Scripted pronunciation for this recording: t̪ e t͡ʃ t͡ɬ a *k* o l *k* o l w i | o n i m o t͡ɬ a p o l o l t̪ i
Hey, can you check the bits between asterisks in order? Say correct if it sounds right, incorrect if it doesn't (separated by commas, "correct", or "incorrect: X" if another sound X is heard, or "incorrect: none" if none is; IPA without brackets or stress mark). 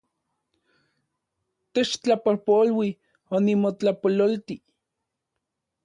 incorrect: p, incorrect: p